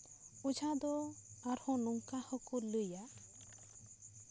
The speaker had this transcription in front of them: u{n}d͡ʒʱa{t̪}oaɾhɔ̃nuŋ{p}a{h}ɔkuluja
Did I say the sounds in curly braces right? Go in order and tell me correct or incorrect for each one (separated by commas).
incorrect, incorrect, incorrect, correct